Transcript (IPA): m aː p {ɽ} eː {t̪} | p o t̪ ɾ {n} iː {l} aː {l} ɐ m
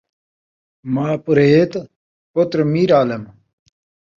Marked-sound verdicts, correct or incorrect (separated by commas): incorrect, correct, incorrect, incorrect, correct